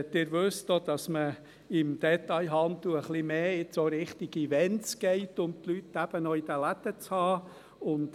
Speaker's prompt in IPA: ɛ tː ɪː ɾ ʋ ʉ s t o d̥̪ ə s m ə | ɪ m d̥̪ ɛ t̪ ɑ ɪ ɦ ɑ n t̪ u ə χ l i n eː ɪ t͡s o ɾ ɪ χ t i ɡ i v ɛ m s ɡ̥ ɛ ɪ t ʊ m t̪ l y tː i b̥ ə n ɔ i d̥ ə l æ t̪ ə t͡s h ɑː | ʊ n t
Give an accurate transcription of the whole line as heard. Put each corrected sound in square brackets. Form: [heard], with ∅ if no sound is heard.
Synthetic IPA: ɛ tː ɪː ɾ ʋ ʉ s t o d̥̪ [ɑ] s m ə | ɪ m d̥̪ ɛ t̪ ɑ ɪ ɦ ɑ n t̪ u ə χ l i [m] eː ɪ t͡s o ɾ ɪ χ t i ɡ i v ɛ [n] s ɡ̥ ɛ ɪ t ʊ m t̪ l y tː [æ] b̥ ə n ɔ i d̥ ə l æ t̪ ə t͡s h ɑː | ʊ n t